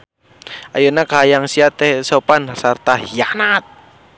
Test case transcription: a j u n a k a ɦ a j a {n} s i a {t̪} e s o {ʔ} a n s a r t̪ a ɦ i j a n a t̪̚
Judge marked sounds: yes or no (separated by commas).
no, yes, no